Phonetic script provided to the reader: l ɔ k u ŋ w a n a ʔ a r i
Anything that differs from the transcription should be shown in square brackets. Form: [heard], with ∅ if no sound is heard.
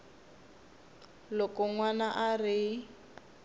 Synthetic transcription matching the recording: l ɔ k [ɔ] ŋ w a n a ʔ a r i